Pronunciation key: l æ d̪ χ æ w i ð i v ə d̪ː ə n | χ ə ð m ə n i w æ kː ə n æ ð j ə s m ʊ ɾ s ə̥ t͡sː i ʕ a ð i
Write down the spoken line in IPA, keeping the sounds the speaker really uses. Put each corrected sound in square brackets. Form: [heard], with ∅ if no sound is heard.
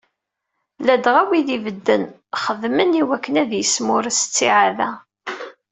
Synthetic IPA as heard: l æ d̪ [ʁ] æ w i ð i v ə d̪ː ə n | χ ə ð m ə n i w æ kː ə n æ ð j ə s m ʊ ɾ s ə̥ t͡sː i ʕ a ð [æ]